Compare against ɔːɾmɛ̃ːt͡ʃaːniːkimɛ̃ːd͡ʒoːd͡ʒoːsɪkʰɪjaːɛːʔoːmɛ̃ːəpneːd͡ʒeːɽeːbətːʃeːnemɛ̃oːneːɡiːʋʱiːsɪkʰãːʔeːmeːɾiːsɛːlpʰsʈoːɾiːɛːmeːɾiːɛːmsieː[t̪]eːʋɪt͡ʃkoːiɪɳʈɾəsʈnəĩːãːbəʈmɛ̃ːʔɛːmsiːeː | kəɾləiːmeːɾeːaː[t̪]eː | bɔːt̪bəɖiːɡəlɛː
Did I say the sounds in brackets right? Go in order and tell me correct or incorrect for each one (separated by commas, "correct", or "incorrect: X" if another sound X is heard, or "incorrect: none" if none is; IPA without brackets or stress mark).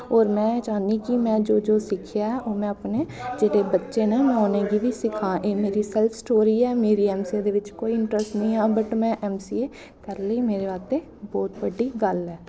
incorrect: d̪, correct